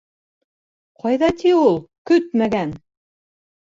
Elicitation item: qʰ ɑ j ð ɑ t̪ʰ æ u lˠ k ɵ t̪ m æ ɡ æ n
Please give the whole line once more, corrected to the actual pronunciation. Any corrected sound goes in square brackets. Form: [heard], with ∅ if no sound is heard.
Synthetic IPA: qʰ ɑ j ð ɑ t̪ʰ [i] u lˠ k ɵ t̪ m æ ɡ æ n